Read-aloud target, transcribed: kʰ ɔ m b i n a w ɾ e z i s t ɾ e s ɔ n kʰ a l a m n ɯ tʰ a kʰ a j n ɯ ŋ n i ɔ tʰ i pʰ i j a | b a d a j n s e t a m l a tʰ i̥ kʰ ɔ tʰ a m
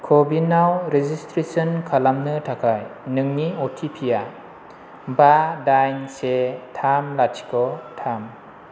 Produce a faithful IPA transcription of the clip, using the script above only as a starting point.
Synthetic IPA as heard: kʰ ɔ b i n a w ɾ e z i s t ɾ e s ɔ n kʰ a l a m n ɯ tʰ a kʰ a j n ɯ ŋ n i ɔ tʰ i pʰ i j a | b a d a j n s e tʰ a m l a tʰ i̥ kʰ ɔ tʰ a m